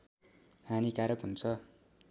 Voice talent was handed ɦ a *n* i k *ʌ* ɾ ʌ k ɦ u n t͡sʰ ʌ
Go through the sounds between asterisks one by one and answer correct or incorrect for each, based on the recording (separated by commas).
correct, incorrect